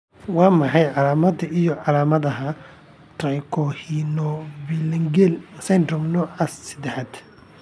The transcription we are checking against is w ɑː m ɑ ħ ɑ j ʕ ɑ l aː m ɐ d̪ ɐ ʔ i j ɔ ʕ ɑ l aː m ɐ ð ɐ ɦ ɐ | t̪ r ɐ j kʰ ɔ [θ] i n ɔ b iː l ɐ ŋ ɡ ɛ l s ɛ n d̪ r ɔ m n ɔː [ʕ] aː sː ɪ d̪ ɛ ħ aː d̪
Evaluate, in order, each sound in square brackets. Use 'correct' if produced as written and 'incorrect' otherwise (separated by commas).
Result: incorrect, correct